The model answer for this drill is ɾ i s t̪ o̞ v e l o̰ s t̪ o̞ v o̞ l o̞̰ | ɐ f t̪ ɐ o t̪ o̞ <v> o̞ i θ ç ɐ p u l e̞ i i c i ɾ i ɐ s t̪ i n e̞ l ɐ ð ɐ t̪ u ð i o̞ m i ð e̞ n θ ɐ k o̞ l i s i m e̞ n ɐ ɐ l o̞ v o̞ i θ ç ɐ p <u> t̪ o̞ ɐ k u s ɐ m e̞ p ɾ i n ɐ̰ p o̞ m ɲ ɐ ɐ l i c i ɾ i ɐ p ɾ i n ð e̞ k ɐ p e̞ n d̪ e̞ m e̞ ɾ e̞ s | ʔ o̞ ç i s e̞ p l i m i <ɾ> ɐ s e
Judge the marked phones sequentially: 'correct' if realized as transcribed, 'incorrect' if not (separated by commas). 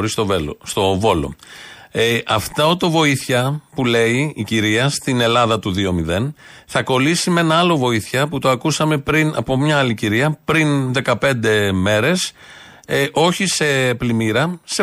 correct, correct, correct